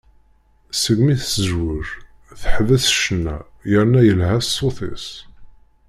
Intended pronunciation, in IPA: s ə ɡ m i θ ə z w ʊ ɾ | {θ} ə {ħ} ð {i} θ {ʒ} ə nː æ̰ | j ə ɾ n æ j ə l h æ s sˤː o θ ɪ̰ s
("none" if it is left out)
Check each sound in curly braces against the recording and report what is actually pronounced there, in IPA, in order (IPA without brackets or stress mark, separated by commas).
θ, ħ, æ, ʃ